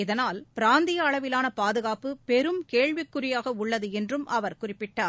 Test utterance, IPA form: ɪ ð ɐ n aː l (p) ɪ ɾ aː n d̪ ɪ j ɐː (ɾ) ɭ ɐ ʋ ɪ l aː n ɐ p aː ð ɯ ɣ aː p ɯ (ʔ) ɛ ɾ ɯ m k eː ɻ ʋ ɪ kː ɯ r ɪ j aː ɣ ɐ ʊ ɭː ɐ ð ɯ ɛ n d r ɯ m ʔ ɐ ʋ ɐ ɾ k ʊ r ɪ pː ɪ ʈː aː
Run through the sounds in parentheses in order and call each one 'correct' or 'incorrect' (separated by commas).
correct, incorrect, incorrect